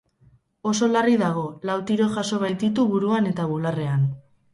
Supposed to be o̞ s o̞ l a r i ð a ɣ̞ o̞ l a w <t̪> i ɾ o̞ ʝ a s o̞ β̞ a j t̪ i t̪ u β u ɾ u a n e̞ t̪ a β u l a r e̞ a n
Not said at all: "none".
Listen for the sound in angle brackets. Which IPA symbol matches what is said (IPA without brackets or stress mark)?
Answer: t̪